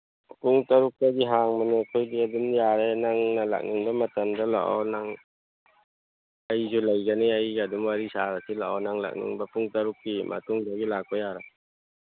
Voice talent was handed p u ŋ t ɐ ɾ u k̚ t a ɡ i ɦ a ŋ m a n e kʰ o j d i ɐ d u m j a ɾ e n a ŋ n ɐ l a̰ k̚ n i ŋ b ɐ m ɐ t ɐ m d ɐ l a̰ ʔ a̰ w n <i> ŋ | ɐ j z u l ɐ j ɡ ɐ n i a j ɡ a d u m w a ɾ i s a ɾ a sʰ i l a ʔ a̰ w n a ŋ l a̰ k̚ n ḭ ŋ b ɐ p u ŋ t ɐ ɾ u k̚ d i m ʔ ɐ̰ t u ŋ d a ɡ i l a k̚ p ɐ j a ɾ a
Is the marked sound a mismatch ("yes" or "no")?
yes